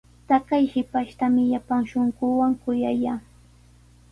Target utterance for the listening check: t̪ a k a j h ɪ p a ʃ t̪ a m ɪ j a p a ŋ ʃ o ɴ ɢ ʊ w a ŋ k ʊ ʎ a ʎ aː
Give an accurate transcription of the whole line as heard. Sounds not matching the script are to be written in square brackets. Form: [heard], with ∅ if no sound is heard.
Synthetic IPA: t̪ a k a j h ɪ p a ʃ t̪ a m ɪ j a p a ŋ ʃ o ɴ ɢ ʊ w a ŋ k ʊ [j] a [j] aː